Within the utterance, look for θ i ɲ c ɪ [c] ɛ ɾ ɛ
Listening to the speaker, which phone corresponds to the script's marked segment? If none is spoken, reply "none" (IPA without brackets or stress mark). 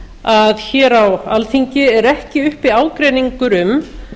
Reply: none